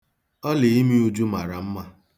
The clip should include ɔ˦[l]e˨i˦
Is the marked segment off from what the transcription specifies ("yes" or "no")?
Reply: no